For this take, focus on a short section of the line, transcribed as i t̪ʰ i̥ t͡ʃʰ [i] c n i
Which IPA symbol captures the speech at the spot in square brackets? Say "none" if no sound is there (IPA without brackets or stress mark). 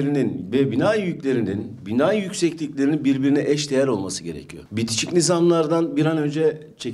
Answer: i